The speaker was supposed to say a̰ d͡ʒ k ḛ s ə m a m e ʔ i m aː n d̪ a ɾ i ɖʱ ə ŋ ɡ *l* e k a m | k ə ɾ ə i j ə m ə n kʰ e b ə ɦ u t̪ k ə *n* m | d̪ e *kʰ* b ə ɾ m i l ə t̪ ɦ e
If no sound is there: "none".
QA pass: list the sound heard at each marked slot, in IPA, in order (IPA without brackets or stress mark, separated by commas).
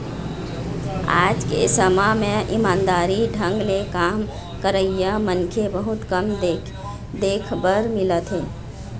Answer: l, none, kʰ